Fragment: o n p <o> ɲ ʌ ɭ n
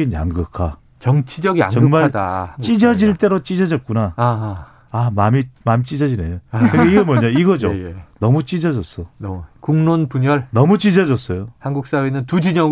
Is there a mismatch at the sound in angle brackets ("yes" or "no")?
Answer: yes